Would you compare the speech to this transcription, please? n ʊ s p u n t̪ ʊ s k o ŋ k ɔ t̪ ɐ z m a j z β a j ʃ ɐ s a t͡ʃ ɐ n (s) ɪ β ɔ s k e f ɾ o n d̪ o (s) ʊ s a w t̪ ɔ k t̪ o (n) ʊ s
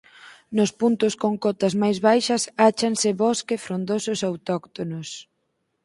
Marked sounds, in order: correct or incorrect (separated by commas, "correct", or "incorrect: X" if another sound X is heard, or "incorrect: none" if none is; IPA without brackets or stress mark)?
correct, correct, correct